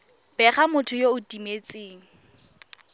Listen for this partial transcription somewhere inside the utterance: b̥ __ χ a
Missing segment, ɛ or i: ɛ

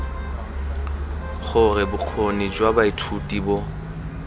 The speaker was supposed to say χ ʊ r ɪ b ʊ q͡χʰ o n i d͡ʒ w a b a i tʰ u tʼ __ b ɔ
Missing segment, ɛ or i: i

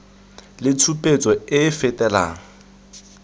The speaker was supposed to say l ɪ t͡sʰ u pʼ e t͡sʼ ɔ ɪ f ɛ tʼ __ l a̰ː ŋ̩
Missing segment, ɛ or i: ɛ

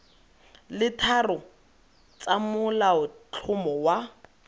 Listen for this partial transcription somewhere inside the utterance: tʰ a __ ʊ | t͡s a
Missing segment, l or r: r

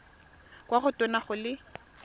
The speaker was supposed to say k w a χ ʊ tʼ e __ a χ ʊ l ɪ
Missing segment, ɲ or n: n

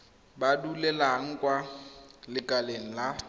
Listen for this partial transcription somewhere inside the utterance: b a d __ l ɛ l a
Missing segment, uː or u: u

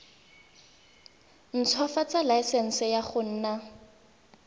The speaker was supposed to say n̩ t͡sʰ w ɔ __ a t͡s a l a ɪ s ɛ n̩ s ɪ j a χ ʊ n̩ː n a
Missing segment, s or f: f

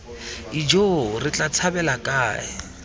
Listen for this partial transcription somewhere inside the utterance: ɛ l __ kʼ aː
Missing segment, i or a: a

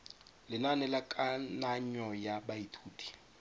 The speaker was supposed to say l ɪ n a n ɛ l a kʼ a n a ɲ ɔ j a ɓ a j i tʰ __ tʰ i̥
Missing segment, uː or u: uː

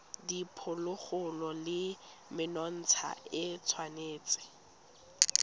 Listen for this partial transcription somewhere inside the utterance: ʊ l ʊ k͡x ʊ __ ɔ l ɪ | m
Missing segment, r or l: l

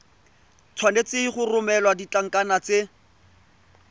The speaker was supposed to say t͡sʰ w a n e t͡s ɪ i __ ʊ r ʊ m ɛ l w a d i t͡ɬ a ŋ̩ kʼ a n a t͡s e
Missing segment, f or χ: χ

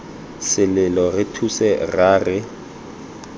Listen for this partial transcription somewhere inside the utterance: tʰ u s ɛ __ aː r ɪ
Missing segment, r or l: r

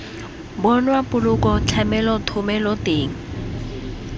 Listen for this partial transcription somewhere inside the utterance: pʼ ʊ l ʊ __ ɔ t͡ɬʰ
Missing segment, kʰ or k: k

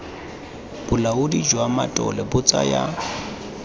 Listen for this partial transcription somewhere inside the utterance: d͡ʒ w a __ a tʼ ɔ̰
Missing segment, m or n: m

